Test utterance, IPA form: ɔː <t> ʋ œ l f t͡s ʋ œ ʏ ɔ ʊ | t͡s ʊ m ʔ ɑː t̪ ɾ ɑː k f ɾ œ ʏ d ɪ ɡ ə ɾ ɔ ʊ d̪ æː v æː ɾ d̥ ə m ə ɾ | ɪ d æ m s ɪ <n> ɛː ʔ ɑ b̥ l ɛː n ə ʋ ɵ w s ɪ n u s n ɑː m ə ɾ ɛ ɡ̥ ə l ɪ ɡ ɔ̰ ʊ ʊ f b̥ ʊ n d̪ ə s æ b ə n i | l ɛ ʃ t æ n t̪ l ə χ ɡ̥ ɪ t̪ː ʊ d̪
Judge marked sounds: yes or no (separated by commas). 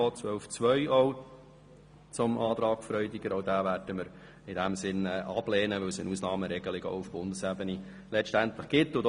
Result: no, yes